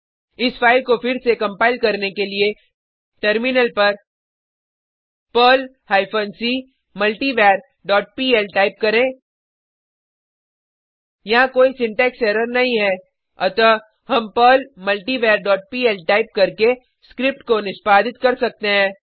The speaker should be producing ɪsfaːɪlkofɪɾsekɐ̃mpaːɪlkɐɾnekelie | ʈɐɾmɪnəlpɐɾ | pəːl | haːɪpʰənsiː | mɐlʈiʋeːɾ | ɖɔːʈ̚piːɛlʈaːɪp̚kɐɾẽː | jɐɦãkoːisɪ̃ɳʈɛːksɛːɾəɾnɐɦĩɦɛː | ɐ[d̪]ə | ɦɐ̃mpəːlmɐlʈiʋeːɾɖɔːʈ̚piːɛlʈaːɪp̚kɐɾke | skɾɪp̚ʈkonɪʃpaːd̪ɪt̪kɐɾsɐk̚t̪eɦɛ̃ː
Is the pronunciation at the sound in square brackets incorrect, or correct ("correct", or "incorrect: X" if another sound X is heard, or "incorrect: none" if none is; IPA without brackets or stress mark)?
incorrect: t̪